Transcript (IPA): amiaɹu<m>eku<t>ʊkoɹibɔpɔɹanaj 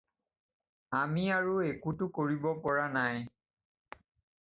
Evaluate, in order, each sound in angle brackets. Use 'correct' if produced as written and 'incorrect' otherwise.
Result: incorrect: none, correct

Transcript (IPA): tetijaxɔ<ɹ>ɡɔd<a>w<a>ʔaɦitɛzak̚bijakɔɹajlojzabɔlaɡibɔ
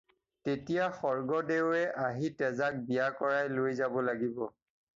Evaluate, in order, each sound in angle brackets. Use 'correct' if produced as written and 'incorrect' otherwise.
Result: correct, incorrect: e, incorrect: ɛ

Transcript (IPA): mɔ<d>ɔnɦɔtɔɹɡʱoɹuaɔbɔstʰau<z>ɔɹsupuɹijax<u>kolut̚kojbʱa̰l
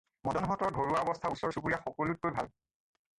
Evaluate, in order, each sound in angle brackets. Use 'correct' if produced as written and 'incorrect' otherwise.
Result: correct, incorrect: s, incorrect: ɔ

